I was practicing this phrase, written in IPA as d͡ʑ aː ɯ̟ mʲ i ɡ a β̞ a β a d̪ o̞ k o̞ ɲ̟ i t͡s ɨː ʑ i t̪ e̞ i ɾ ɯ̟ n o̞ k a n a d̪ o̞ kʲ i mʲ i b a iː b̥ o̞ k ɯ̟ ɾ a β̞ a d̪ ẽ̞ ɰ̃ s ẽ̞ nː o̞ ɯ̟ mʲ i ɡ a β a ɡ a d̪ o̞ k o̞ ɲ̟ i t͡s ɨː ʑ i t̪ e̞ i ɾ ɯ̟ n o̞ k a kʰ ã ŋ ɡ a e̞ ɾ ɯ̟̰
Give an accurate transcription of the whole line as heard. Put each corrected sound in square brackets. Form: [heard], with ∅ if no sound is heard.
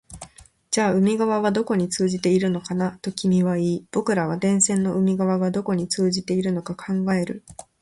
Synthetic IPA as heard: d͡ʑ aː ɯ̟ mʲ i ɡ a β̞ a β a d̪ o̞ k o̞ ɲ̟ i t͡s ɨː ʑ i t̪ e̞ i ɾ ɯ̟ n o̞ k a n a [t̪] o̞ kʲ i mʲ i [β] a iː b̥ o̞ k ɯ̟ ɾ a β̞ a d̪ ẽ̞ ɰ̃ s ẽ̞ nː o̞ ɯ̟ mʲ i ɡ a β a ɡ a d̪ o̞ k o̞ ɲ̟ i t͡s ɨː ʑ i t̪ e̞ i ɾ ɯ̟ n o̞ k a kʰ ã ŋ ɡ a e̞ ɾ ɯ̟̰